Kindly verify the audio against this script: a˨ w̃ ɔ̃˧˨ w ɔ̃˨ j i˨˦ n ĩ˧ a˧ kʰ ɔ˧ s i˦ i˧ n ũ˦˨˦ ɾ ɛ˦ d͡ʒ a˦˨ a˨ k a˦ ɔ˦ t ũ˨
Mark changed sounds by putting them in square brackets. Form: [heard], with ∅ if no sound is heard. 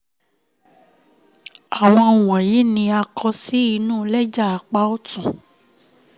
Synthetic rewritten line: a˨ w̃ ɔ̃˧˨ w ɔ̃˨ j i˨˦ n ĩ˧ a˧ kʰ ɔ˧ s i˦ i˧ n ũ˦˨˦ [l] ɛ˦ d͡ʒ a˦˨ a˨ [k͡p] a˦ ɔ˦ t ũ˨